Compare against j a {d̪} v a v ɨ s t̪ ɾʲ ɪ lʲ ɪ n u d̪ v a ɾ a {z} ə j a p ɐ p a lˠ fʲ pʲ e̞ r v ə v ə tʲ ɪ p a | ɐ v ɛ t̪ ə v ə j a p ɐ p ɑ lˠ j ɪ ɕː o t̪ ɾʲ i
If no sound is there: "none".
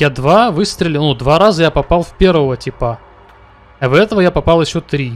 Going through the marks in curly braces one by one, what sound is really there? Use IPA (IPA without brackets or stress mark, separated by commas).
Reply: d̪, z